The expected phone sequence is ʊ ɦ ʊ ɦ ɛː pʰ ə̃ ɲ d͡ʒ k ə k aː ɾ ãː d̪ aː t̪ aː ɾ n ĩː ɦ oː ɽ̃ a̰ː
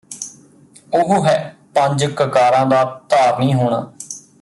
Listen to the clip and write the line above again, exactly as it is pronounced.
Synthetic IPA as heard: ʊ ɦ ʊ ɦ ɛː p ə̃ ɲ d͡ʒ k ə k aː ɾ ãː d̪ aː t̪ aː ɾ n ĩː ɦ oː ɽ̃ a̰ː